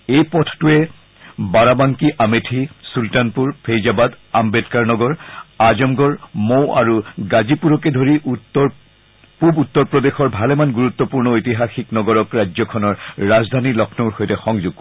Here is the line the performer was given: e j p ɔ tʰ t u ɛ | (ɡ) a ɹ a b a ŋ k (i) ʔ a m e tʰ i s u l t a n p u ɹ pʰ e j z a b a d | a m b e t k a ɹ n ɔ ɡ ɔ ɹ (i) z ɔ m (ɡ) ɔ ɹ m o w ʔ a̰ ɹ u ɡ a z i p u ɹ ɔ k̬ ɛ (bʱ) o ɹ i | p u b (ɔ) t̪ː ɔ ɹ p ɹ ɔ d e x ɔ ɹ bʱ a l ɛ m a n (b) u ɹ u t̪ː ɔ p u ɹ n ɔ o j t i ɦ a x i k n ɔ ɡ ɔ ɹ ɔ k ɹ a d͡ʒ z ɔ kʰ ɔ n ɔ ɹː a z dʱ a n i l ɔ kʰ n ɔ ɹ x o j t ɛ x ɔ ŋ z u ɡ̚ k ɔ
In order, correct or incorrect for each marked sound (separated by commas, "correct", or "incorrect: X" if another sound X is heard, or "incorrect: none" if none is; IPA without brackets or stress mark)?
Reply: incorrect: b, correct, incorrect: a, correct, incorrect: dʱ, incorrect: u, incorrect: ɡ